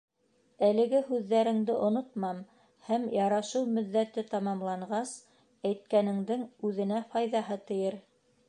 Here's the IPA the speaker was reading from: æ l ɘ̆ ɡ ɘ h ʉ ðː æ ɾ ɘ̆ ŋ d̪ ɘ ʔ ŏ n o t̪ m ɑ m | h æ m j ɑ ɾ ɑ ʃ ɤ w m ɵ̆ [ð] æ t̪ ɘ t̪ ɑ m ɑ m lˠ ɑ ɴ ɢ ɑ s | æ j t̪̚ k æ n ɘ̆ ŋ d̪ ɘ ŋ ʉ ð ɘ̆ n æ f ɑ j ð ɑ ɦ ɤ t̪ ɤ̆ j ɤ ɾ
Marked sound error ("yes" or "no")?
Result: yes